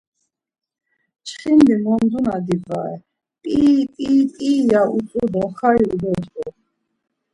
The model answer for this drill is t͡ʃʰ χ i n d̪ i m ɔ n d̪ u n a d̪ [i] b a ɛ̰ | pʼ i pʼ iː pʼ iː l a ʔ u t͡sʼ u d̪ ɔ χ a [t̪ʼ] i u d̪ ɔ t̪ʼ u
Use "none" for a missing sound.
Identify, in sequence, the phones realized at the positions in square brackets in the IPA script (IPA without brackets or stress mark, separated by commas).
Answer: i, none